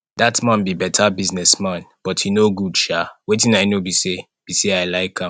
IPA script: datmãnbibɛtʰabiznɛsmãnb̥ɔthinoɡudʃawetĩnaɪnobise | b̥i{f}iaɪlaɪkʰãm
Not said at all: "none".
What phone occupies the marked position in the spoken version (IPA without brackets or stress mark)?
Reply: s